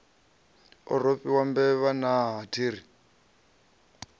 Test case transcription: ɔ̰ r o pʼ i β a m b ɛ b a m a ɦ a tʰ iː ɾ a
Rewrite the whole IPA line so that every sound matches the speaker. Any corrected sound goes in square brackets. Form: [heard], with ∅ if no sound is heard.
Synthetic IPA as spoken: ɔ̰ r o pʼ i [w] a m b ɛ [β] a [n] a ɦ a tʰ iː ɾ [i]